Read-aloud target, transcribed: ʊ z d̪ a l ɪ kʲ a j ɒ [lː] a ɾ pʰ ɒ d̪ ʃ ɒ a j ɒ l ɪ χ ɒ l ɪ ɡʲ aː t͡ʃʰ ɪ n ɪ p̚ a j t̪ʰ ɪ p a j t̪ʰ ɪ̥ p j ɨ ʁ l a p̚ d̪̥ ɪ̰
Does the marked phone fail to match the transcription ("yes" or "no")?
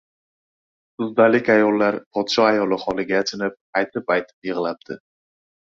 no